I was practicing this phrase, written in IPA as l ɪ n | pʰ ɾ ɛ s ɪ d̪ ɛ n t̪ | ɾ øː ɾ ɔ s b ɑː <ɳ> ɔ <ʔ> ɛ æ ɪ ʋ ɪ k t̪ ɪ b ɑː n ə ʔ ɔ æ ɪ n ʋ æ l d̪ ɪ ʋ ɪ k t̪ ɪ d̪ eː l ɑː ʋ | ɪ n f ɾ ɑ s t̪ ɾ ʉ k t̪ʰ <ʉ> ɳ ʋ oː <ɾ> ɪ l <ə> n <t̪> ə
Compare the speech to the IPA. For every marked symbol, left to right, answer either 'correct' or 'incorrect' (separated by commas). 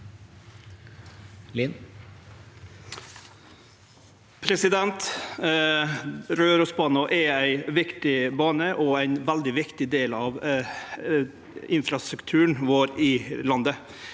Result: incorrect, correct, incorrect, correct, incorrect, incorrect